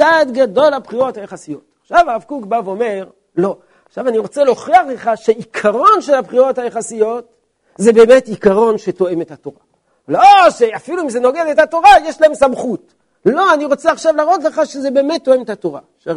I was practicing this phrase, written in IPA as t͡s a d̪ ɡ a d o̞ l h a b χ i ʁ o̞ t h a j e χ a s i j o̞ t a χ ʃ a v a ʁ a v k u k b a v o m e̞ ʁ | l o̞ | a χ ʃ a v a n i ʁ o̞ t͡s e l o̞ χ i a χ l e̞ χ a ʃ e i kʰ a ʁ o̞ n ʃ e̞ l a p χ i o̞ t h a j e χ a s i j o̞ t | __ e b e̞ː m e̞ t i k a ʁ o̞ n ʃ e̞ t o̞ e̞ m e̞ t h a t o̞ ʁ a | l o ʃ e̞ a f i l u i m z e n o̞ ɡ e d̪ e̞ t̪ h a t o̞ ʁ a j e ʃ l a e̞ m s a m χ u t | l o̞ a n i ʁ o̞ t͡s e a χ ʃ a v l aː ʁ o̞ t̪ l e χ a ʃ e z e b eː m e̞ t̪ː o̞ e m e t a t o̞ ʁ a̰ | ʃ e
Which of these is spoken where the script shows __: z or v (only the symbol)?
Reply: z